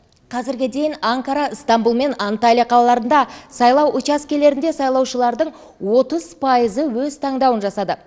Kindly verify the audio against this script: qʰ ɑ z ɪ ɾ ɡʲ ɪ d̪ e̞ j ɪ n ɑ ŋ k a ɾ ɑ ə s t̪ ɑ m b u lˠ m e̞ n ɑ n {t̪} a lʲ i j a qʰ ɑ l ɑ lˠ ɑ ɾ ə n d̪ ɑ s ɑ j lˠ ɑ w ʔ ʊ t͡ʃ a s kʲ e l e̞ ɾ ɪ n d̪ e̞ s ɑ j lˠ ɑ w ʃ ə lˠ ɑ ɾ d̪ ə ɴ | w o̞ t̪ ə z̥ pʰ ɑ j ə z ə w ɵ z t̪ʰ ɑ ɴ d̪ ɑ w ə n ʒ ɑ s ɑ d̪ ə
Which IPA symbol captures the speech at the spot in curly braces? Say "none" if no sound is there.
t̪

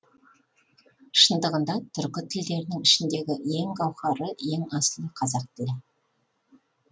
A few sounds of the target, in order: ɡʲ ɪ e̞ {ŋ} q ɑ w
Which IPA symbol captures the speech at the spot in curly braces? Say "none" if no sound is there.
ŋ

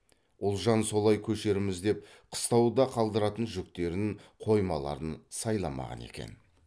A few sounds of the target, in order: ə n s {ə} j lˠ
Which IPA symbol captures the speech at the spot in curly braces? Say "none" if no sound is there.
ɑ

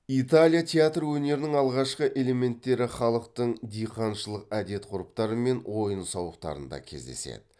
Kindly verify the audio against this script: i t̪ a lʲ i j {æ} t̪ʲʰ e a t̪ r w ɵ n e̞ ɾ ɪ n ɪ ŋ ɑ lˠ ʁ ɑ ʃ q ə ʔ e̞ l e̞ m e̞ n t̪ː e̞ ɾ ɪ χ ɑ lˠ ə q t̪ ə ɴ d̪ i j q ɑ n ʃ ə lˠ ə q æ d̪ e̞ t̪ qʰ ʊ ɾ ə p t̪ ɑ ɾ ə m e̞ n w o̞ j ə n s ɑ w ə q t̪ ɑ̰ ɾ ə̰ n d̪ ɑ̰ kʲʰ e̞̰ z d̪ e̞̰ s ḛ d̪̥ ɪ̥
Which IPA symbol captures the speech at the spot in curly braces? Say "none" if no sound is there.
a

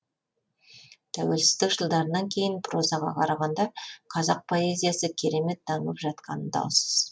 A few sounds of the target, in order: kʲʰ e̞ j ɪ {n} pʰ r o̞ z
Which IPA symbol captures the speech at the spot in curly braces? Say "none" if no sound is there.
n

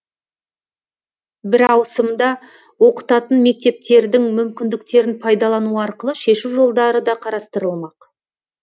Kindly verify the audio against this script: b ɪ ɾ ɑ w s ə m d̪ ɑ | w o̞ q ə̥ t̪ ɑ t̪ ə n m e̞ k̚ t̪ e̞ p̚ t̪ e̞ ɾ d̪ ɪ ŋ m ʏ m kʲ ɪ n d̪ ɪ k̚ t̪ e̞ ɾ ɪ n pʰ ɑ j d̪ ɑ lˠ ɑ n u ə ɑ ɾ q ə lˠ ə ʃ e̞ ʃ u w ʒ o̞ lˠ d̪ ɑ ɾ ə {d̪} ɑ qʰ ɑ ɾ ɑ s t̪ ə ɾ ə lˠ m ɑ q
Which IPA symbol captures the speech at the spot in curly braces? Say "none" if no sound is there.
d̪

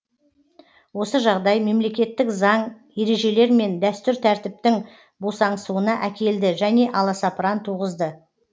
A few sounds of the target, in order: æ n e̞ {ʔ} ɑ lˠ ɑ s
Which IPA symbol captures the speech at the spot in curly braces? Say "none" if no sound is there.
ʔ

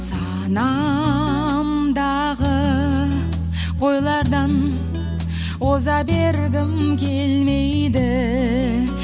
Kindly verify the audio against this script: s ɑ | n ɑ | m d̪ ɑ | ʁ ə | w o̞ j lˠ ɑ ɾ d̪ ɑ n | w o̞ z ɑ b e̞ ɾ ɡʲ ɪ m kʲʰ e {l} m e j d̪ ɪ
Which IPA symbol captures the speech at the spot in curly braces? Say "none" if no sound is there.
l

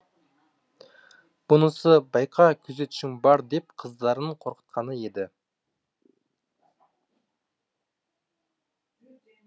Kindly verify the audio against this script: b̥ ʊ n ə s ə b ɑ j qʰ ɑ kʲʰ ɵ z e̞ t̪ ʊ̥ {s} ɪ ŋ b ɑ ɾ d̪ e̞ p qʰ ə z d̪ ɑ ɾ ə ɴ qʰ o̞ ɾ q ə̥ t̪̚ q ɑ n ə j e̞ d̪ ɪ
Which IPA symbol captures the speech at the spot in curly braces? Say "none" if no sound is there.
ʃ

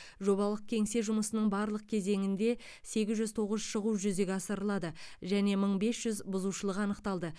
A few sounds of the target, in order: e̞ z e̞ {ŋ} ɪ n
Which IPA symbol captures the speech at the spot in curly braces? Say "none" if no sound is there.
ŋ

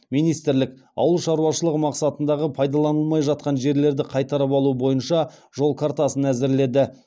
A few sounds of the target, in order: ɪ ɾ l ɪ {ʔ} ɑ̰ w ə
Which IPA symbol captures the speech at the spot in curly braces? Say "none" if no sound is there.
k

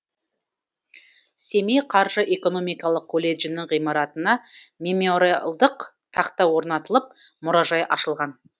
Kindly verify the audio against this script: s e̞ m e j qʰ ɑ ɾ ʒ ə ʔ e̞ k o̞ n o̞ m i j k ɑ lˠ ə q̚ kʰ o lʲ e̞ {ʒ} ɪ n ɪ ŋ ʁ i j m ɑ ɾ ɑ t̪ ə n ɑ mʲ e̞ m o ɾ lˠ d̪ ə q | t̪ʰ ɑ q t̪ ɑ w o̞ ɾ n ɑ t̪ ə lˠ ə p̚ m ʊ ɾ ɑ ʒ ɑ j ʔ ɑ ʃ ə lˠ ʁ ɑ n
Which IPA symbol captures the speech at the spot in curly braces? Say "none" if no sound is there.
ʒ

